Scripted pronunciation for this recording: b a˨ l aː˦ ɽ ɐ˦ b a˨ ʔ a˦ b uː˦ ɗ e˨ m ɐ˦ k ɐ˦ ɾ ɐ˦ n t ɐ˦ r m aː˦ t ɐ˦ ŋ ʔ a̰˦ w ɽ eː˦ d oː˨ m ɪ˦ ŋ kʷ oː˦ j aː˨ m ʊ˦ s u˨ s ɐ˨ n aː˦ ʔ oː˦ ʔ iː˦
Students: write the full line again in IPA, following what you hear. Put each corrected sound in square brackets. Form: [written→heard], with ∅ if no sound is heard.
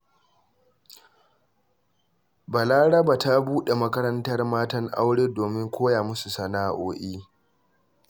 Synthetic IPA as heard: b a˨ l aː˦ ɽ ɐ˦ b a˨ [ʔ→t] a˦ b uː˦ ɗ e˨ m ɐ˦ k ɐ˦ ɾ ɐ˦ n t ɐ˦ r m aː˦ t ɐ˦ ŋ ʔ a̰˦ w ɽ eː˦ d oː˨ m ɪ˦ ŋ kʷ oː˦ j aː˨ m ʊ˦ s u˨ s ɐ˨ n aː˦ ʔ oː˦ ʔ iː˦